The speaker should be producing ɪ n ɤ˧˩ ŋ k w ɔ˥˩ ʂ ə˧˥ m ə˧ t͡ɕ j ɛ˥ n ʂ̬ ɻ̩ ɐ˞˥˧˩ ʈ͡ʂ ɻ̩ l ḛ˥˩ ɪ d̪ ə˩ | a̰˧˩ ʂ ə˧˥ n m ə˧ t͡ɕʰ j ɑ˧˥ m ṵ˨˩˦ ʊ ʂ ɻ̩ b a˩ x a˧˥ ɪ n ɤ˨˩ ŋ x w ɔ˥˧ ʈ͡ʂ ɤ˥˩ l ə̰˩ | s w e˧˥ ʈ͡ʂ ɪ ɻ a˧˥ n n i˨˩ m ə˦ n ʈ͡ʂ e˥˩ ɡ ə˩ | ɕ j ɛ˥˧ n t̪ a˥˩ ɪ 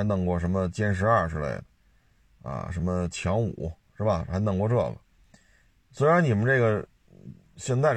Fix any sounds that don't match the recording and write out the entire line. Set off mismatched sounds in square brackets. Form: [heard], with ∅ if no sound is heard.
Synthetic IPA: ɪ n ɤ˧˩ ŋ k w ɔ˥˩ ʂ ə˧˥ m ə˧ t͡ɕ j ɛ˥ n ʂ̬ ɻ̩ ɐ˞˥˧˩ ʈ͡ʂ ɻ̩ l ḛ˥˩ ɪ d̪ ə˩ | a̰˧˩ ʂ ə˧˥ n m ə˧ t͡ɕʰ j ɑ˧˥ [ŋ] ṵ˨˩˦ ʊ ʂ ɻ̩ b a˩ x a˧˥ ɪ n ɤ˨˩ ŋ [k] w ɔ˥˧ ʈ͡ʂ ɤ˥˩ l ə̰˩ | s w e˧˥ [∅] ɪ ɻ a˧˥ n n i˨˩ m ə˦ n ʈ͡ʂ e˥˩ ɡ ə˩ | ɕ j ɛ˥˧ n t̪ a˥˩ ɪ